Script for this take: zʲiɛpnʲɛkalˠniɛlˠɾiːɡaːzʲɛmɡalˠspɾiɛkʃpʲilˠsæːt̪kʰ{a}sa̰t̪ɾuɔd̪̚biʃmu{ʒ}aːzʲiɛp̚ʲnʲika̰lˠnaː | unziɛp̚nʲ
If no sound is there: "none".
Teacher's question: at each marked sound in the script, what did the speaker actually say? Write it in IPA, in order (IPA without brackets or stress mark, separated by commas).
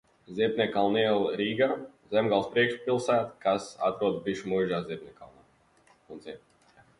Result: a, ʒ